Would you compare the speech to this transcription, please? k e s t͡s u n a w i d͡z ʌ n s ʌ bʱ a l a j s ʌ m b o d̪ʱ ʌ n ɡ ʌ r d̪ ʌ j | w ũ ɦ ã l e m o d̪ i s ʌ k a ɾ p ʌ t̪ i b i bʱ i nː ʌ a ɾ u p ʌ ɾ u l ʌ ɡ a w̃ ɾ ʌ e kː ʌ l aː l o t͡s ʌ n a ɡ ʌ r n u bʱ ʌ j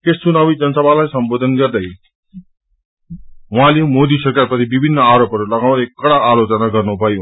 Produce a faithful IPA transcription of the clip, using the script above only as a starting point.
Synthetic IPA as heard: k e s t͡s u n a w i d͡z ʌ n s ʌ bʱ a l a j s ʌ m b o d̪ʱ ʌ n ɡ ʌ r d̪ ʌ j | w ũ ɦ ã l e m o d̪ i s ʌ k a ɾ p ʌ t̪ i b i bʱ i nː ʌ a ɾ o p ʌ ɾ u l ʌ ɡ a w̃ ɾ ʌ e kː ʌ ɽ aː l o t͡s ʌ n a ɡ ʌ r n u bʱ ʌ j

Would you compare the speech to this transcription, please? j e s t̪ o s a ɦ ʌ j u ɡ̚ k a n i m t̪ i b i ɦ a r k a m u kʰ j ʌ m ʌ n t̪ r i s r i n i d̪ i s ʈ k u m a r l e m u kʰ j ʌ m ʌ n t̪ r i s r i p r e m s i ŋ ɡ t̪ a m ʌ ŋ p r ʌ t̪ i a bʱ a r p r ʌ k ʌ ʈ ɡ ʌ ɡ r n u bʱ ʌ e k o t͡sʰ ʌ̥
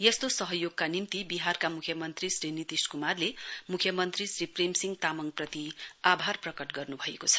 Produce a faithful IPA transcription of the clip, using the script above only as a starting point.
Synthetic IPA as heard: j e s t̪ o s ʌ ɦ ʌ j o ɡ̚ k a n i m t̪ i b i ɦ a r k a m u kʰ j ʌ m ʌ n t̪ r i s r i n i t̪ i s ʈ k u m a r l e m u kʰ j ʌ m ʌ n t̪ r i s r i p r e m s i ŋ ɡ t̪ a m ʌ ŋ p r ʌ t̪ i a bʱ a r p r ʌ k ʌ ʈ ɡ ʌ r n u bʱ ʌ e k o t͡sʰ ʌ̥

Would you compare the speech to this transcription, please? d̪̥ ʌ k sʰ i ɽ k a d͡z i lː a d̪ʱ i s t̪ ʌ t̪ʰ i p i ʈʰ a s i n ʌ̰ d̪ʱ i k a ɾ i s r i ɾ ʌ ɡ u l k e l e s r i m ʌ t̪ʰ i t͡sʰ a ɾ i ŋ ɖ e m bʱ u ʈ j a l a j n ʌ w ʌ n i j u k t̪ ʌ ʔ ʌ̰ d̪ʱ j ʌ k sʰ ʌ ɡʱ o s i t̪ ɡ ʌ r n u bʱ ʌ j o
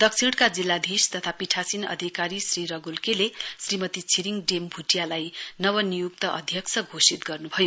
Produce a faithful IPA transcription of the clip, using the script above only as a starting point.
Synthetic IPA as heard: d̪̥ ʌ k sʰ i ɽ k a d͡z i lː a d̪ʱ i s t̪ ʌ t̪ʰ a p i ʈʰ a s i n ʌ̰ d̪ʱ i k a ɾ i s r i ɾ ʌ ɡ u l k e l e s r i m ʌ t̪ i t͡sʰ i ɾ i ŋ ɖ e m bʱ u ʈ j a l a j n ʌ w ʌ n i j u k t̪ ʌ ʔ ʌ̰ d̪ʱ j ʌ k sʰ ʌ ɡʱ o s i t̪ ɡ ʌ r n u bʱ ʌ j o

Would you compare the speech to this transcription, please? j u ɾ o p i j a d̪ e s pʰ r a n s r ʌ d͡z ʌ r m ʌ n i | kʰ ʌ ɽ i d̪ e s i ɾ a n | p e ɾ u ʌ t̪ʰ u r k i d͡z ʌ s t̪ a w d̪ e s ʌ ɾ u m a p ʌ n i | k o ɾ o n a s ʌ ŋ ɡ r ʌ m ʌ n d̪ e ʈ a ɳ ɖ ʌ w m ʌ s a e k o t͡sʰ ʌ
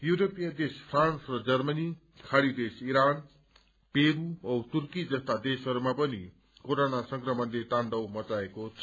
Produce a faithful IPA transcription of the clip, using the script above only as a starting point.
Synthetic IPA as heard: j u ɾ o p i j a d̪ e s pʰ r a n s r ʌ d͡z ʌ r m ʌ n i | kʰ a ɽ i d̪ e s i ɾ a n | p e ɾ u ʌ t̪ u r k i d͡z ʌ s t̪ a d̪ e s ʌ ɾ u m a p ʌ n i | k o ɾ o n a s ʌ ŋ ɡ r ʌ m ʌ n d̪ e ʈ a ɳ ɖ ʌ w m ʌ t͡s a e k o t͡sʰ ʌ

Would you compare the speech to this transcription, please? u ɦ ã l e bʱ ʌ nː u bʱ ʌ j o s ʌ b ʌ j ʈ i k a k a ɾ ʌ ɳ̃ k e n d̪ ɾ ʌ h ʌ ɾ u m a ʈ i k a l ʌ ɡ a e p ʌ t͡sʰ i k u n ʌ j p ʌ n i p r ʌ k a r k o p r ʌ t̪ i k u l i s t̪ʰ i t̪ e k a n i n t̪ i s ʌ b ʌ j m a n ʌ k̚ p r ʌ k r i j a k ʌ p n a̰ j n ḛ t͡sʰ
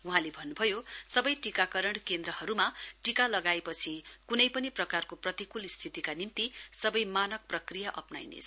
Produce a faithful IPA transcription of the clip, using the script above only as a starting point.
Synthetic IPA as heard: u ɦ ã l e bʱ ʌ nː u bʱ ʌ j o s ʌ b ʌ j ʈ i k a k ʌ ɾ ʌ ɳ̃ k e n d̪ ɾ ʌ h ʌ ɾ u m a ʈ i k a l ʌ ɡ a e p ʌ t͡sʰ i k u n ʌ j p ʌ n i p r ʌ k a r k o p r ʌ t̪ i k u l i s t̪ʰ i t̪ i k a n i n t̪ i s ʌ b ʌ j m a n ʌ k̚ p r ʌ k r i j a ʔ ʌ p n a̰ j n ḛ t͡sʰ

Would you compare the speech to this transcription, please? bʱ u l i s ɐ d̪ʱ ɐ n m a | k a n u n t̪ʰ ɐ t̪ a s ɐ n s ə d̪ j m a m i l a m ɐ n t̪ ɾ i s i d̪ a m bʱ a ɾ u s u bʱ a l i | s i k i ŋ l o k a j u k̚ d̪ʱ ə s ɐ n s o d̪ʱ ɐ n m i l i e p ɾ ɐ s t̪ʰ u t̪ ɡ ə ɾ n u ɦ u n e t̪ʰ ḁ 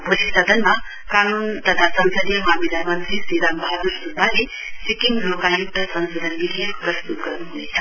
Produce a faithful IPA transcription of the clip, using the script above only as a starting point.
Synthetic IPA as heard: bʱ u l i s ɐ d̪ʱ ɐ n m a | k a n u n t̪ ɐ t̪ʰ a s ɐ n s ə d̪ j m a m i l a m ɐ n t̪ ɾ i s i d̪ a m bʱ a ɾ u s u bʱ a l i | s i k i ŋ l o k a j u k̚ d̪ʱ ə s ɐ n s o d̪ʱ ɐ n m i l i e p ɾ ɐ s t̪ u t̪ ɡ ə ɾ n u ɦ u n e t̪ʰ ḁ

